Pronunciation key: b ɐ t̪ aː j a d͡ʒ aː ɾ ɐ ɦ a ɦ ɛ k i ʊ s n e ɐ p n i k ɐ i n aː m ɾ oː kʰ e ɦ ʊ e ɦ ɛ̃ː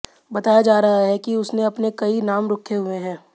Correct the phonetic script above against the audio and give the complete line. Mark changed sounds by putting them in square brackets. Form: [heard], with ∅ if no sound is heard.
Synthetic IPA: b ɐ t̪ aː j a d͡ʒ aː ɾ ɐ ɦ a ɦ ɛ k i ʊ s n e ɐ p n [e] k ɐ i n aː m ɾ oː kʰ e ɦ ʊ e ɦ ɛ̃ː